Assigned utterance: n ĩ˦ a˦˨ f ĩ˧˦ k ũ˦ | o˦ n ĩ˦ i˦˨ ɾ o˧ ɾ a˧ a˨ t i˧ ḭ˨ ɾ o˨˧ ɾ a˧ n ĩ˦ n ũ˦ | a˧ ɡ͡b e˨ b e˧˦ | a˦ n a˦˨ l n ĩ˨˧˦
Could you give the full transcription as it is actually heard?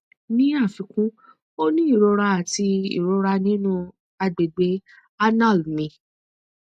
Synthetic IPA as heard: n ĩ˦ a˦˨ f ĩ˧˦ k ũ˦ | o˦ n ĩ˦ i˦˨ ɾ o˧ ɾ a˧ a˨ t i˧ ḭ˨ ɾ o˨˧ ɾ a˧ n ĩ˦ n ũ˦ | a˧ ɡ͡b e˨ ɡ͡b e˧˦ | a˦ n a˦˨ l m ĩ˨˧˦